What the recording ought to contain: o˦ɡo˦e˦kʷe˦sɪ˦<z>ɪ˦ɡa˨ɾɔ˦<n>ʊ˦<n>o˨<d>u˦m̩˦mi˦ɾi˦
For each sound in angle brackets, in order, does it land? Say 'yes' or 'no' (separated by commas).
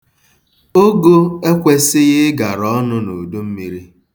no, yes, yes, yes